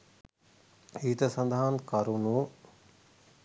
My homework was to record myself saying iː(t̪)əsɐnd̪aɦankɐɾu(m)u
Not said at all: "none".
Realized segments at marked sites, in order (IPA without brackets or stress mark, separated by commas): t̪, n